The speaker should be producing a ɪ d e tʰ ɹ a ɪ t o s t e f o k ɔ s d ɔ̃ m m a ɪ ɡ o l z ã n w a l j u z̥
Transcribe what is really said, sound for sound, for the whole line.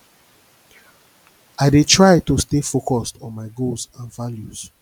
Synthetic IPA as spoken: a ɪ d e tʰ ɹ a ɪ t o s t e f o k ɔ s t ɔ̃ n m a ɪ ɡ o l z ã n v a l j u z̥